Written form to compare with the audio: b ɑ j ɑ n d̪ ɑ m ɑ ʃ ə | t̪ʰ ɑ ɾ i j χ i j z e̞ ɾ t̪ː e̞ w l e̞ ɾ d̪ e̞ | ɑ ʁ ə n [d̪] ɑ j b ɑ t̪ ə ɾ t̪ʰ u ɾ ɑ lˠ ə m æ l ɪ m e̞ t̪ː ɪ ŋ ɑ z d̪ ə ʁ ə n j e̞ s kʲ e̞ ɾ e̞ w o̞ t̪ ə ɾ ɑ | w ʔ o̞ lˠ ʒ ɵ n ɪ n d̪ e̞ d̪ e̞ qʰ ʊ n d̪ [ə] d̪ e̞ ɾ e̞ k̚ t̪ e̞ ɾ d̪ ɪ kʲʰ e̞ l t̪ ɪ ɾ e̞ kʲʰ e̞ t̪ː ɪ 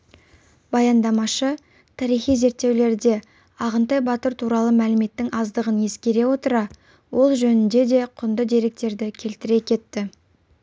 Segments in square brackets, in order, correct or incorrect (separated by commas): incorrect, correct